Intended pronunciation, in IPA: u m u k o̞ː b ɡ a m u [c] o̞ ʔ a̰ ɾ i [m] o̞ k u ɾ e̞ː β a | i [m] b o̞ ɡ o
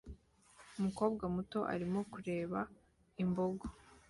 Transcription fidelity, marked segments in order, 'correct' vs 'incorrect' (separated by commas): incorrect, correct, correct